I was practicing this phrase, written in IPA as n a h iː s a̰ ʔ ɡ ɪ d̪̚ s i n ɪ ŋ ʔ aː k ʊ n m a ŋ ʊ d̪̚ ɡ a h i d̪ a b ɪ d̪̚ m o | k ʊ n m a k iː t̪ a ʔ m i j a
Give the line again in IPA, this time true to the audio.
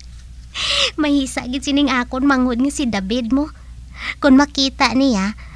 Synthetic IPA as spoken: m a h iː s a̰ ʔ ɡ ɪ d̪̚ s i n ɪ ŋ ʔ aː k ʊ n m a ŋ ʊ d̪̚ ŋ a s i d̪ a b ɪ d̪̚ m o | k ʊ n m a k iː t̪ a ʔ n i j a